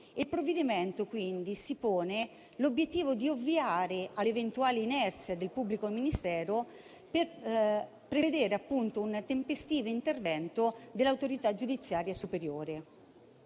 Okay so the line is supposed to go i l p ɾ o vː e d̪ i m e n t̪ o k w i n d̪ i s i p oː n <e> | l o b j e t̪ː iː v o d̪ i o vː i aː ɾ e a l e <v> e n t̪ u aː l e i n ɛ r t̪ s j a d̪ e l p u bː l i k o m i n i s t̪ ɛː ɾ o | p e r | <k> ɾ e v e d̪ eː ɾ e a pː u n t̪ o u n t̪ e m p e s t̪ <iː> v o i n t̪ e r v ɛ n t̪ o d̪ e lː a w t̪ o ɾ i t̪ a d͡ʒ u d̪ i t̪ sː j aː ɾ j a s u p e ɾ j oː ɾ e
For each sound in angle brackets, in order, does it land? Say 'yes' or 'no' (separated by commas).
yes, yes, no, yes